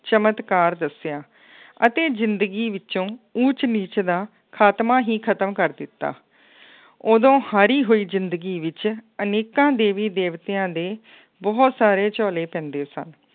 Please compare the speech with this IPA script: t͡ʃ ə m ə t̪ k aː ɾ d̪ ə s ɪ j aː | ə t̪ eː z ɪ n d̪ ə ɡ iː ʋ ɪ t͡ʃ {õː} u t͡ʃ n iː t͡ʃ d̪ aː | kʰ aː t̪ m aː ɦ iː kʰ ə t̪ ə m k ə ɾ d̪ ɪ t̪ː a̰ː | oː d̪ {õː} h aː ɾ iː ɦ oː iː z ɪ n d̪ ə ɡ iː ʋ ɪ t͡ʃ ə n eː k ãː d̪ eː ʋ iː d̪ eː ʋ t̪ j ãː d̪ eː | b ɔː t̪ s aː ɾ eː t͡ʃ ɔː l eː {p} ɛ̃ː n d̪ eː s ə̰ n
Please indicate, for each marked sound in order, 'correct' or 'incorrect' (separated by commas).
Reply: correct, correct, correct